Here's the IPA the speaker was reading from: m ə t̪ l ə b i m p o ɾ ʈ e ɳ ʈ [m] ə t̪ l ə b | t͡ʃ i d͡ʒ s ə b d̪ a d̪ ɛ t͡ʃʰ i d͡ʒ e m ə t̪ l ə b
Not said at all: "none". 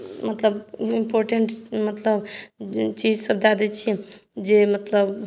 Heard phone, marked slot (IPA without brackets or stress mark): m